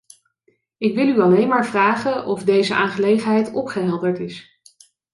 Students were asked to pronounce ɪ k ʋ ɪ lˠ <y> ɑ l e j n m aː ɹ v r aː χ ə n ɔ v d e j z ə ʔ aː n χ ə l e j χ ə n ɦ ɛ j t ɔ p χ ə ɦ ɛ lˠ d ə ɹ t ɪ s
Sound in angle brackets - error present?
no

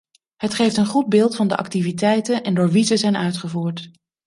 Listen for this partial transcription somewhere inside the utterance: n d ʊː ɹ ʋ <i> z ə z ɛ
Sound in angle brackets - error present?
no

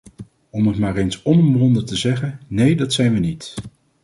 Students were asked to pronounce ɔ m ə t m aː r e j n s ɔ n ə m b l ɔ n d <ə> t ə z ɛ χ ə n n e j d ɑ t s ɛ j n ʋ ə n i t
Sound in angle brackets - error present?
no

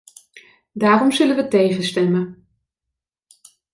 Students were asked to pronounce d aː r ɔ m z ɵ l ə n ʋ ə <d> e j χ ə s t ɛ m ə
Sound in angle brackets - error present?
yes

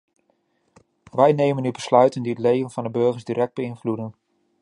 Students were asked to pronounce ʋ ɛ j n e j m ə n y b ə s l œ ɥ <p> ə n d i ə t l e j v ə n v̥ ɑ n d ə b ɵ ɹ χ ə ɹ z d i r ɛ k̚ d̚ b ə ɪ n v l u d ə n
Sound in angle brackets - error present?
yes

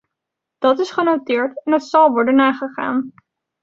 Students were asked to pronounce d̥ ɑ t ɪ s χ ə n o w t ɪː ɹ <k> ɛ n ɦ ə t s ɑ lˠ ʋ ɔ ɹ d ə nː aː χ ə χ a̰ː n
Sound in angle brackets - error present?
yes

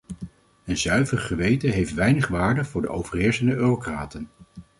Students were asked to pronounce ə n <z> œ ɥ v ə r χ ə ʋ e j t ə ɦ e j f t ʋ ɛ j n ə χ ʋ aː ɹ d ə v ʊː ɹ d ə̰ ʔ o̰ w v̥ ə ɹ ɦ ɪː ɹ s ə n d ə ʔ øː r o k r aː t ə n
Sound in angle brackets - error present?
no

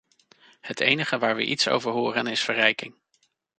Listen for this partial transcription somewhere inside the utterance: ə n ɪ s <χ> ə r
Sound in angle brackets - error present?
yes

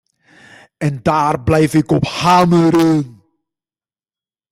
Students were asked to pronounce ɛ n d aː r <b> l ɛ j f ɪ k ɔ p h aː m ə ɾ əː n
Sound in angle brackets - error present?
no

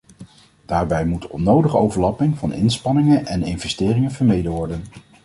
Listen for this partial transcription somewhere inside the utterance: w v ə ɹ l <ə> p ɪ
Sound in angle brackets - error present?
yes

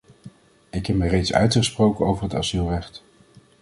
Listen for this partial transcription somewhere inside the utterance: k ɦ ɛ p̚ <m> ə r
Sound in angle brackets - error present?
no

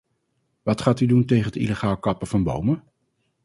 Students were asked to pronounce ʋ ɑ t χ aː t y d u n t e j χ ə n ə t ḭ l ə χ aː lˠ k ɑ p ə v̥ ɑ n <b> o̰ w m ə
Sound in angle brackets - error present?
no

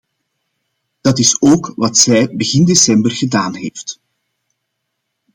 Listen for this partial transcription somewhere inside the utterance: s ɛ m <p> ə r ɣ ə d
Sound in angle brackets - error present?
yes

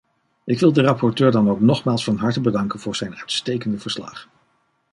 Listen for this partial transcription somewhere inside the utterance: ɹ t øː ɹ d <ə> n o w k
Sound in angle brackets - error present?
yes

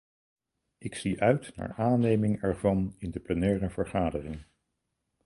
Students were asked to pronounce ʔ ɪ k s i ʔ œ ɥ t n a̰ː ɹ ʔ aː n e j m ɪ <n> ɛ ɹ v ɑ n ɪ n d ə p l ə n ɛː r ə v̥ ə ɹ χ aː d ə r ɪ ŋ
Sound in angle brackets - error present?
yes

